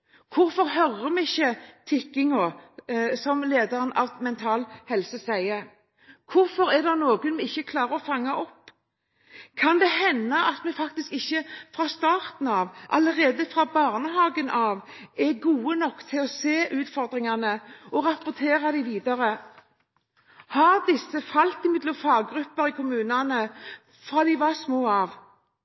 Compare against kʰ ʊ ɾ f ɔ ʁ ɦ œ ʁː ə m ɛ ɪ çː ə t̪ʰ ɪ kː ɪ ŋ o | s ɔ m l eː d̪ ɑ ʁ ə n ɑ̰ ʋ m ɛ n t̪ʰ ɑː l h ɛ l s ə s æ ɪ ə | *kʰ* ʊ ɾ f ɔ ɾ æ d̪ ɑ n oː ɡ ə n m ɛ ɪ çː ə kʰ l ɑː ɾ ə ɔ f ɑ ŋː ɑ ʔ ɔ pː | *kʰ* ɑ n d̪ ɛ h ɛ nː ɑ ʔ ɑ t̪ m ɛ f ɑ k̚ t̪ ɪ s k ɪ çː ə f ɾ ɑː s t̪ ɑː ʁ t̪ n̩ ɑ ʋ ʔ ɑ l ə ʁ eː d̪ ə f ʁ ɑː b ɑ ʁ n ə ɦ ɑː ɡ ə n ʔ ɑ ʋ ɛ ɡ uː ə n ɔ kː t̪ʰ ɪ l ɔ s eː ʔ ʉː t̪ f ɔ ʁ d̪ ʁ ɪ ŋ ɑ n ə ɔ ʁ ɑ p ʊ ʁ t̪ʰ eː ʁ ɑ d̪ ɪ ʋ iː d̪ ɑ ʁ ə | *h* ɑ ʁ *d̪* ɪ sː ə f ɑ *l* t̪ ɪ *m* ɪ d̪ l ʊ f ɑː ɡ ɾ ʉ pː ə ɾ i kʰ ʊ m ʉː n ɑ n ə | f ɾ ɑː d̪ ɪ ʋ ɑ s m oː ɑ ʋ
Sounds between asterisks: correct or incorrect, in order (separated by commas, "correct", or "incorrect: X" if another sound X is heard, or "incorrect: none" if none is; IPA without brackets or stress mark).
correct, correct, correct, correct, correct, correct